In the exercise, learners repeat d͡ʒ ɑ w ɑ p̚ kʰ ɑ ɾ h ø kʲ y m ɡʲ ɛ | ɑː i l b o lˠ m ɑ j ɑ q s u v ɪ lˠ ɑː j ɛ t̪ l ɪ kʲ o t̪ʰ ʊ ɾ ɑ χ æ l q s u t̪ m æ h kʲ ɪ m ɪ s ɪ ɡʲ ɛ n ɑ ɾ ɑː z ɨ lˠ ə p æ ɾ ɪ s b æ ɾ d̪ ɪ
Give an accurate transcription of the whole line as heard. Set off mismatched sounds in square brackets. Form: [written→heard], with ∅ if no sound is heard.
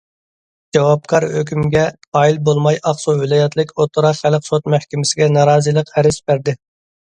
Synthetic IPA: d͡ʒ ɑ w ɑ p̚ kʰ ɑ ɾ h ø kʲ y m ɡʲ ɛ | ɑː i l b o lˠ m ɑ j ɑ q s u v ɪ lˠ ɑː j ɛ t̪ l ɪ kʲ o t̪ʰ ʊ ɾ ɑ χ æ l q s [u→o] t̪ m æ h kʲ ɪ m ɪ s ɪ ɡʲ ɛ n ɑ ɾ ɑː z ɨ lˠ ə [p→q] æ ɾ ɪ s b æ ɾ d̪ ɪ